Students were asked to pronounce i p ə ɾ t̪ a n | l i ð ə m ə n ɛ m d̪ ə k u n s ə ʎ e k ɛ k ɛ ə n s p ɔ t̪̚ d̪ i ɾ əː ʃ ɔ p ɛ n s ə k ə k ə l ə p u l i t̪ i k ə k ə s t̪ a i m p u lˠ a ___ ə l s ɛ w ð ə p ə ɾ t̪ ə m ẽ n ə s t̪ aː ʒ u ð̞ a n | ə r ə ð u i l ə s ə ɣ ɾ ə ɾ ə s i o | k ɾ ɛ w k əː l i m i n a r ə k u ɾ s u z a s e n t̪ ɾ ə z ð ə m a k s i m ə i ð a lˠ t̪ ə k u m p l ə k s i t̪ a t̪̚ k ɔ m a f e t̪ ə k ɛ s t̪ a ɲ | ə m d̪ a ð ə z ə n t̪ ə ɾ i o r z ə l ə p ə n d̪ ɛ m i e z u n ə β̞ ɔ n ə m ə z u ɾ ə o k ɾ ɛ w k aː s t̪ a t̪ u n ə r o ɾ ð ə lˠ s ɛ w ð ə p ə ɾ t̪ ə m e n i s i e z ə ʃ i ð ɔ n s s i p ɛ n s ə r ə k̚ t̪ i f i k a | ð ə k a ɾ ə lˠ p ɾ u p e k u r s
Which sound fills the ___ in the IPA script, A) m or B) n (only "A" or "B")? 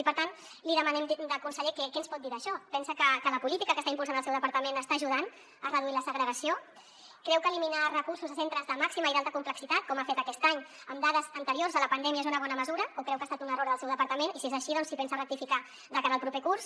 B